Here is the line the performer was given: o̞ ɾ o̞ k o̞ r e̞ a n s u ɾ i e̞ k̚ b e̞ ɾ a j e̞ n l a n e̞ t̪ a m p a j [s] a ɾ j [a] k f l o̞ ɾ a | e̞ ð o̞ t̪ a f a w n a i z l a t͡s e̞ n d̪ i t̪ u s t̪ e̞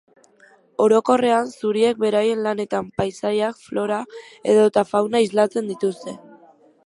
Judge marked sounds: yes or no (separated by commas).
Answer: yes, yes